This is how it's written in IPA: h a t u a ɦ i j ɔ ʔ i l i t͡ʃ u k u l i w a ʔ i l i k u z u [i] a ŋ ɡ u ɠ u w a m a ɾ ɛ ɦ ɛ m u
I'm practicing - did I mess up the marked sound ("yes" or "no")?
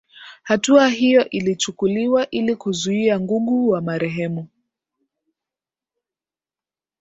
no